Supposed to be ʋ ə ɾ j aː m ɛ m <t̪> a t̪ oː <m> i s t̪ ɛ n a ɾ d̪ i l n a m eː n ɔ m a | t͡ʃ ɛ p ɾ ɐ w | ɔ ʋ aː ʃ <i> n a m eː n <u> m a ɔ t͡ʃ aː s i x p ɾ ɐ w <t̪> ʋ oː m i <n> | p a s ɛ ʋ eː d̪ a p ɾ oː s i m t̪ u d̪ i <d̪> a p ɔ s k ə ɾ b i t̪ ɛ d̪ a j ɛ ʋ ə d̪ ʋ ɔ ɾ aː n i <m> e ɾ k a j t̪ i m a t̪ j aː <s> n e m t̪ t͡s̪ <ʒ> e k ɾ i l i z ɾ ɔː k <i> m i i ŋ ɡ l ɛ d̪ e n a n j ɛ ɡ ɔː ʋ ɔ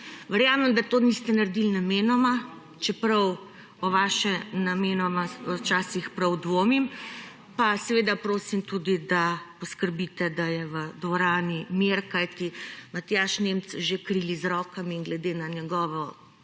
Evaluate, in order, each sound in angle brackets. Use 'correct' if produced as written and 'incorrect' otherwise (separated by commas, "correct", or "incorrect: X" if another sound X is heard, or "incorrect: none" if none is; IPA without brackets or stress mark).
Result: incorrect: d̪, incorrect: n, incorrect: ɛ, incorrect: ɔ, incorrect: d̪, incorrect: m, correct, correct, incorrect: ʃ, correct, incorrect: a